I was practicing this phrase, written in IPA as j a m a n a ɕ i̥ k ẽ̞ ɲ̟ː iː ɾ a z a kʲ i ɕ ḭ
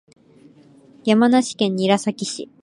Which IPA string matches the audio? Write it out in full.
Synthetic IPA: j a m a n a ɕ i̥ k ẽ̞ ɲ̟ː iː ɾ a s a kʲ i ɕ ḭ